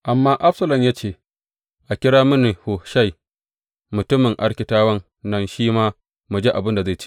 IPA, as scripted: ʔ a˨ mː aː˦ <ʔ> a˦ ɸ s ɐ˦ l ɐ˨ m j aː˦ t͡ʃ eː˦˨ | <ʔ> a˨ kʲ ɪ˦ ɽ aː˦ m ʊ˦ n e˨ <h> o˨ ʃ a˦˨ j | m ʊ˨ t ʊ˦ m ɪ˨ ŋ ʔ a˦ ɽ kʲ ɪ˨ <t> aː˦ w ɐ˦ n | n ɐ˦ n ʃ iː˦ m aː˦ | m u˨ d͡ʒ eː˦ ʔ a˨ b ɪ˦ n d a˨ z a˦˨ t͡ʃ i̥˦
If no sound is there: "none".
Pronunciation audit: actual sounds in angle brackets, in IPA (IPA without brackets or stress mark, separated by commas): ʔ, ʔ, h, t